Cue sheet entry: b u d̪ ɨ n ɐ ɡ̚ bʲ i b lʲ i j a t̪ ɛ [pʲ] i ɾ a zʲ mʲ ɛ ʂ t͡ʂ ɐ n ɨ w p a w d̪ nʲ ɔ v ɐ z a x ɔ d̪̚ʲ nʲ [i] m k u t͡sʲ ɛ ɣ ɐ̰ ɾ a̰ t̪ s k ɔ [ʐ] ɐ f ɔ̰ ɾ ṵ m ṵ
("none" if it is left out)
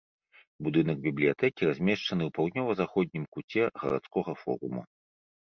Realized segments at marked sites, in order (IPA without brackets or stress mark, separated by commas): kʲ, i, ɣ